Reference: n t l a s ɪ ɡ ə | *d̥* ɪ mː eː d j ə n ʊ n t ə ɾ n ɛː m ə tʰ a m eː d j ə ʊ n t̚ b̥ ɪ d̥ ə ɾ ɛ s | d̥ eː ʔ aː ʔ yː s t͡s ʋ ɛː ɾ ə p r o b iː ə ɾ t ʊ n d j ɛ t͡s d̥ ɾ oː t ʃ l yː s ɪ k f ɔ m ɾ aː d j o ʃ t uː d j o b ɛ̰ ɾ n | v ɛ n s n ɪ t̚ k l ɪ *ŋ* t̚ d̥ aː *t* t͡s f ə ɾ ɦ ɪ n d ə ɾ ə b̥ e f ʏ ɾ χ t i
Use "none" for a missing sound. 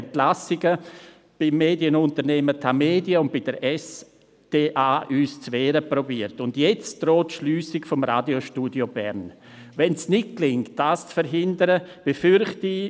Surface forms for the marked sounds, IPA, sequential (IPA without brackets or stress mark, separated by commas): b̥, ŋ, s